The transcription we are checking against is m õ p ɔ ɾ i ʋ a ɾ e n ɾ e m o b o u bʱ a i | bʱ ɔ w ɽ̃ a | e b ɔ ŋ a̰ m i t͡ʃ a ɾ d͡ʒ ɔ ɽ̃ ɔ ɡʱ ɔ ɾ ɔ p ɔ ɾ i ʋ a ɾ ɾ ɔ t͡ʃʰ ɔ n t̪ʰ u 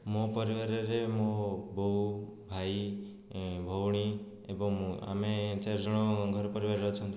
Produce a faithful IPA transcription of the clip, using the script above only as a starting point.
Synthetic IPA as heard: m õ p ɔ ɾ i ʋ a ɾ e ɾ e m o b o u bʱ a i | bʱ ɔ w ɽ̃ i | e b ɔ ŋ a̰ m e t͡ʃ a ɾ d͡ʒ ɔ ɽ̃ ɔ ɡʱ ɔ ɾ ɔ p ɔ ɾ i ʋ a ɾ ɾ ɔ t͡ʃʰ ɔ n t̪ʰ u